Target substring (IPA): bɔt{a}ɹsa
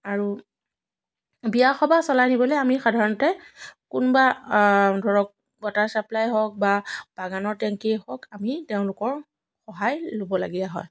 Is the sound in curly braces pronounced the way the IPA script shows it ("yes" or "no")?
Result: yes